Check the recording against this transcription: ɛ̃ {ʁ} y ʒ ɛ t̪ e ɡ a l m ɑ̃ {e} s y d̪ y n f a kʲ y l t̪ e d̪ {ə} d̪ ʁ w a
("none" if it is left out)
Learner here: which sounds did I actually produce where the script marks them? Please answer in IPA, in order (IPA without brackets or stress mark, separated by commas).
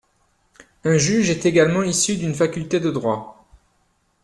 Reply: ʒ, i, ə